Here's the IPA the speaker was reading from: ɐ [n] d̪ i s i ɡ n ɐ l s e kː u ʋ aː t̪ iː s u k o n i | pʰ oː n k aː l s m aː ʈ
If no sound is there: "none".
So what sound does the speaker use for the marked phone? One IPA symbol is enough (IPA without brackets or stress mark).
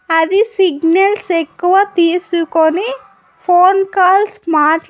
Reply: none